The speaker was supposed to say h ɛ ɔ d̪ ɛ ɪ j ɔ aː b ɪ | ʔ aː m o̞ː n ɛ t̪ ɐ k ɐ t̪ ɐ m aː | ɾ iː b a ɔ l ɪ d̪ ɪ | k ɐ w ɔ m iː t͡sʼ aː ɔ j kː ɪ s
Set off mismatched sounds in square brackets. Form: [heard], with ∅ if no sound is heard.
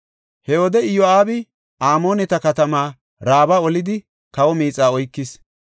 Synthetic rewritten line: h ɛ ɔ d̪ ɛ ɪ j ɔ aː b ɪ | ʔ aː m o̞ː n ɛ t̪ ɐ k ɐ t̪ ɐ m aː | ɾ [aː] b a ɔ l ɪ d̪ ɪ | k ɐ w ɔ m iː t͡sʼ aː ɔ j kː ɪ s